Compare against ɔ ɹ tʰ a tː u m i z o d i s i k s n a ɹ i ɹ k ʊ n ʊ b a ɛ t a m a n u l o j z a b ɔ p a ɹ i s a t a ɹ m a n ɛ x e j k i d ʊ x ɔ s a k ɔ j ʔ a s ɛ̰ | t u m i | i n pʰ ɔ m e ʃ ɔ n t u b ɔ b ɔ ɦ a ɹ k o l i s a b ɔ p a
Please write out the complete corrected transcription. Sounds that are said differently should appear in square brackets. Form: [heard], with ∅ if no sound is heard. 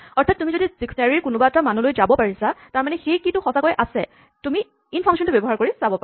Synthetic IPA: ɔ ɹ tʰ a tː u m i z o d i s i k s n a ɹ i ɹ k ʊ n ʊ b a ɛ t a m a n u l o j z a b ɔ p a ɹ i s a t a ɹ m a n ɛ x e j k i [t] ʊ x ɔ s a k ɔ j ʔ a s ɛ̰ | t u m i | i n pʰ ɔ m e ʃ ɔ n t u b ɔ b ɔ ɦ a ɹ k o [ɹ] i s a b ɔ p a